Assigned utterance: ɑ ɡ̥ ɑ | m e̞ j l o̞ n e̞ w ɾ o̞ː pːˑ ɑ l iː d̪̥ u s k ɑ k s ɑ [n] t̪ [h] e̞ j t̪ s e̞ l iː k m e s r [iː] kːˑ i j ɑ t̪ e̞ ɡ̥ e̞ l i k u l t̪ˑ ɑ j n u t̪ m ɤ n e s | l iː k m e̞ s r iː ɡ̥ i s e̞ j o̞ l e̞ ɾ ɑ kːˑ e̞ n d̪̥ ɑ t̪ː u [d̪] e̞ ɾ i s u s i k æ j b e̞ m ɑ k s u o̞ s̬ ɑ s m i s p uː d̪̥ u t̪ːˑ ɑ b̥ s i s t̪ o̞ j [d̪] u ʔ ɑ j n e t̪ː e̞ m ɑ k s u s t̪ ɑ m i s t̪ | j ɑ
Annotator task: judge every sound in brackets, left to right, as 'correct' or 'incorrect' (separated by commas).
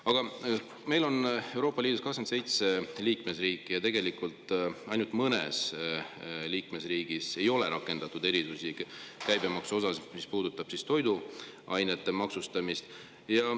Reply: correct, incorrect, correct, correct, correct